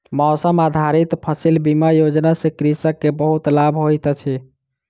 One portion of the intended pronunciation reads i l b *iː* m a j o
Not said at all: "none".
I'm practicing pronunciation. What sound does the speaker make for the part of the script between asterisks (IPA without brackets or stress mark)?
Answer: i